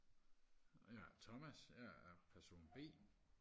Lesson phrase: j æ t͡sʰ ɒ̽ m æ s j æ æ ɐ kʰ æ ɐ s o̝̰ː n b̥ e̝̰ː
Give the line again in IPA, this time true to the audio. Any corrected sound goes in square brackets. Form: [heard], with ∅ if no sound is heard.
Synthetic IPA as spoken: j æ t͡sʰ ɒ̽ m æ s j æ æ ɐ [pʰ] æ ɐ s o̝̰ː n b̥ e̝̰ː